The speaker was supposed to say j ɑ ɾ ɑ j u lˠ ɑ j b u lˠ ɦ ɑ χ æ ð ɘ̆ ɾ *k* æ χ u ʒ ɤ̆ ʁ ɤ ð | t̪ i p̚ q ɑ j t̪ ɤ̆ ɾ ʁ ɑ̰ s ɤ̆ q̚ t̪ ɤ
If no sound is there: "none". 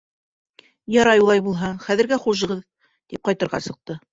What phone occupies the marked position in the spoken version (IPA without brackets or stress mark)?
ɡ